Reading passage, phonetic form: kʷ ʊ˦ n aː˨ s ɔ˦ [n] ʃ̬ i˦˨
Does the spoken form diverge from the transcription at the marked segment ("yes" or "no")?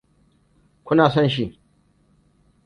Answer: no